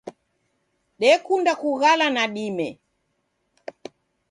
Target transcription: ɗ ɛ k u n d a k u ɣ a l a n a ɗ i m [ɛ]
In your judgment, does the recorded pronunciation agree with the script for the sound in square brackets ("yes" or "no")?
yes